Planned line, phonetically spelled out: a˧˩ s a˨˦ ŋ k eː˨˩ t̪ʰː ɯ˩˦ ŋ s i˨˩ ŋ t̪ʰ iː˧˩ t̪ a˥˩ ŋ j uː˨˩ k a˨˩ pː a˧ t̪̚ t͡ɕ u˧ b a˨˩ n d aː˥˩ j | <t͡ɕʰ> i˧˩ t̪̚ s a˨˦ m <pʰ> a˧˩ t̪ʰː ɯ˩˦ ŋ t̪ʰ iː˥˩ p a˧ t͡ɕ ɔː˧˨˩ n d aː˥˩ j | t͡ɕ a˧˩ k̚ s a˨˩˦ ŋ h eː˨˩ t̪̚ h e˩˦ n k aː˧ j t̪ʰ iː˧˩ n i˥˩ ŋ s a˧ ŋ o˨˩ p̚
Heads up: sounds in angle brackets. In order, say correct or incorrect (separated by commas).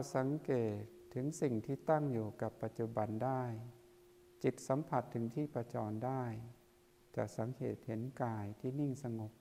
incorrect, correct